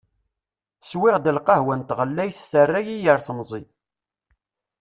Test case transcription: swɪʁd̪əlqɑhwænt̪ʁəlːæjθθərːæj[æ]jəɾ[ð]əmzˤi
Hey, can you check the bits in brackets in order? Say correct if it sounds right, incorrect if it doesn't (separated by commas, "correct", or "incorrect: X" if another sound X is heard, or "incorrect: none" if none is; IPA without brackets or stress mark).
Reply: incorrect: i, incorrect: θ